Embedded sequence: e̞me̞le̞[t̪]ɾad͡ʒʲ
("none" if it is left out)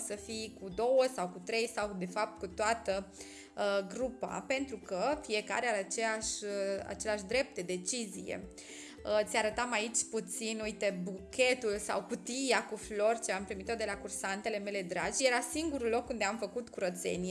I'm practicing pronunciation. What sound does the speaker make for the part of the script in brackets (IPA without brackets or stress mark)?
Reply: d̪